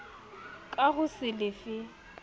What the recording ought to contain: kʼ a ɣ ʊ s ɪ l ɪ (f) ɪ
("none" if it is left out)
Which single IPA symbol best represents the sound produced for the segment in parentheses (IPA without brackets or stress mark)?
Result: f